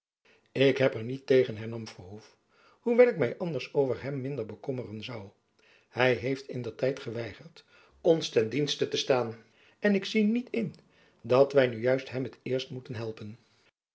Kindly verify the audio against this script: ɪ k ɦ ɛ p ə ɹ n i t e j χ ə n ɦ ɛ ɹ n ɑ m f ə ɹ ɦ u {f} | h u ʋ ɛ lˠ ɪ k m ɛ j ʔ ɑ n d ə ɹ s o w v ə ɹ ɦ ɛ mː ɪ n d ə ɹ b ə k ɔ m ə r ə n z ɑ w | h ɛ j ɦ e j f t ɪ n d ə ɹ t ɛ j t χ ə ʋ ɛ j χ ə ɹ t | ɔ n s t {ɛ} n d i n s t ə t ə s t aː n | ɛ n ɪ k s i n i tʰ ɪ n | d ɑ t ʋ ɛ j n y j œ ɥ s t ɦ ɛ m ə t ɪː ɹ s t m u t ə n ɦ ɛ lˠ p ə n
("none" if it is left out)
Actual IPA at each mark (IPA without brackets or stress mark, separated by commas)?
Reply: f, ɛ